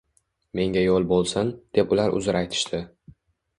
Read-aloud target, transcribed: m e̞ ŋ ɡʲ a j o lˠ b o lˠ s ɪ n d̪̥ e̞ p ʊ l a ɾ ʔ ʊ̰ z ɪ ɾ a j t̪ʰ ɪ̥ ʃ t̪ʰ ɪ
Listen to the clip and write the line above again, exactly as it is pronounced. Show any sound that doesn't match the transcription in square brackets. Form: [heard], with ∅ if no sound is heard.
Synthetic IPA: m e̞ ŋ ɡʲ a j o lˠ b o lˠ s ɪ n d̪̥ e̞ p ʊ l a ɾ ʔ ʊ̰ z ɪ ɾ a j t̪ʰ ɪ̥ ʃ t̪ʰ ɪ